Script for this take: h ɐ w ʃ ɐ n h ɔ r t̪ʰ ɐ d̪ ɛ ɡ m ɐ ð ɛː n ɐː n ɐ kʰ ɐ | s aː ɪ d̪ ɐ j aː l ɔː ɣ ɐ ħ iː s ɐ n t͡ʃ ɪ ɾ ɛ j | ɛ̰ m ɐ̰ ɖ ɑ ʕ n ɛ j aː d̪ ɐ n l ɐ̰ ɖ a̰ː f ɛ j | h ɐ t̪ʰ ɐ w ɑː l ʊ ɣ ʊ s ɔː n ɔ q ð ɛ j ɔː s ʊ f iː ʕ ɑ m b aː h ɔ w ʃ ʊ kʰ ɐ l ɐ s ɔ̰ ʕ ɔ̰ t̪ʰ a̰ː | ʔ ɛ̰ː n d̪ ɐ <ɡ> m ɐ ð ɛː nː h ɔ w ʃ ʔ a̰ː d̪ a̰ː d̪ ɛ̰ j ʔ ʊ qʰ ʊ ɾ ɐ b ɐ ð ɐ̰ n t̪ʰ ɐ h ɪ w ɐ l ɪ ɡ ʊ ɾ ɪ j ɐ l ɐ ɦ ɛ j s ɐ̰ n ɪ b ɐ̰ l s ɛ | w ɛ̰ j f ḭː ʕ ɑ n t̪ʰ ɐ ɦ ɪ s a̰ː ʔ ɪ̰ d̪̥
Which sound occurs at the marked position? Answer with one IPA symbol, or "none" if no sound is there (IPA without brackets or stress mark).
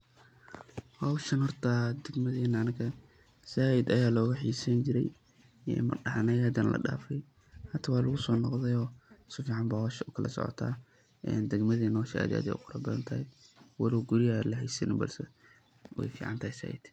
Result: ɡ